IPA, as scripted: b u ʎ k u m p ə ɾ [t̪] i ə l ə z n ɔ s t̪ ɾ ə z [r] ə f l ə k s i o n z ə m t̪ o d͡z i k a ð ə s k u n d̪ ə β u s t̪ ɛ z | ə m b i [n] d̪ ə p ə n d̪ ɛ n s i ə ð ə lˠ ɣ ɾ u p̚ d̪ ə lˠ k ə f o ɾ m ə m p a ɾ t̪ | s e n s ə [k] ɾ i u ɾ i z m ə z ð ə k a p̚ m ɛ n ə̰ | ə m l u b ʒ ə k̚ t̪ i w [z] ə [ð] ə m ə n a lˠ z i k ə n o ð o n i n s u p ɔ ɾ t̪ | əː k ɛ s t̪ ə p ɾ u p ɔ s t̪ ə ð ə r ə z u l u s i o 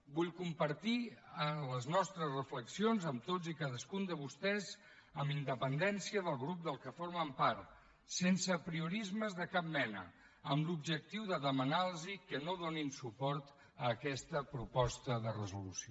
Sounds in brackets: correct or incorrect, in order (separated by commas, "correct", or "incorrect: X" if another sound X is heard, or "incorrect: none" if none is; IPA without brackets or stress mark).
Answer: correct, correct, correct, incorrect: p, incorrect: ð, correct